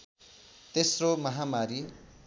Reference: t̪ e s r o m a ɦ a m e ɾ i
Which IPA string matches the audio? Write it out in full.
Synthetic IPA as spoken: t̪ e s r o m ʌ ɦ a m a ɾ i